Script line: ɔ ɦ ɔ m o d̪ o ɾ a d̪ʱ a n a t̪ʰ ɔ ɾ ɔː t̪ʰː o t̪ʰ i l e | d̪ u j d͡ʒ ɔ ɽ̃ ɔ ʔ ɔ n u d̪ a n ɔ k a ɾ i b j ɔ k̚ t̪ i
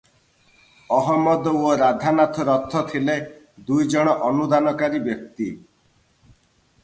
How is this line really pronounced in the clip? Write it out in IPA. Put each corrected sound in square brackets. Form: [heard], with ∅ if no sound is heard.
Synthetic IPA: ɔ ɦ ɔ m [ɔ] d̪ o ɾ a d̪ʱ a n a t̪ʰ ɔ ɾ [ɔ] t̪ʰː [ɔ] t̪ʰ i l e | d̪ u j d͡ʒ ɔ ɽ̃ ɔ ʔ ɔ n u d̪ a n ɔ k a ɾ i b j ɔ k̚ t̪ i